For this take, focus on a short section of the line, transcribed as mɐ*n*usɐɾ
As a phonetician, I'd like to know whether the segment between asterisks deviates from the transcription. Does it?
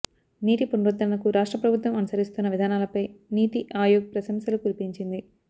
no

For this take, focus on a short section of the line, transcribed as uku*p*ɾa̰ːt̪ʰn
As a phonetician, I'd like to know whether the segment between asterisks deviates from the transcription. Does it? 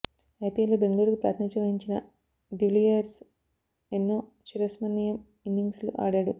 no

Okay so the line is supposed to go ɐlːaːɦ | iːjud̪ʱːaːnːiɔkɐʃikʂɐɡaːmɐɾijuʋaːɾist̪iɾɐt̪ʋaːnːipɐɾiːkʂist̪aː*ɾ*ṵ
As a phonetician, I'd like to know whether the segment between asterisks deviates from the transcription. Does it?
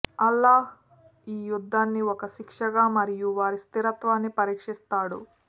yes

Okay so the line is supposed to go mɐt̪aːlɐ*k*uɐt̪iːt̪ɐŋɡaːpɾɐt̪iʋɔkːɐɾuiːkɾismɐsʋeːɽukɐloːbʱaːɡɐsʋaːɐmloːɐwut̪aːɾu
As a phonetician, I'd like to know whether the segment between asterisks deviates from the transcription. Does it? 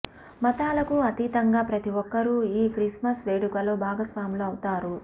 no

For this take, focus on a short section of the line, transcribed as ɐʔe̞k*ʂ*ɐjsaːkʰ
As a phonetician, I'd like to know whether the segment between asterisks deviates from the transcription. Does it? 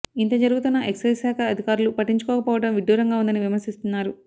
yes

